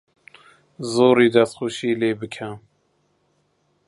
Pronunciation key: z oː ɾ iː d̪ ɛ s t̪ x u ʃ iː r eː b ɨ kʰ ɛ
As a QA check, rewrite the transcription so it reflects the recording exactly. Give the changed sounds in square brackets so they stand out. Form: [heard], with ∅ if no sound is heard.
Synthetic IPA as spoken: z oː ɾ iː d̪ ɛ s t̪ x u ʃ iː [l] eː b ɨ kʰ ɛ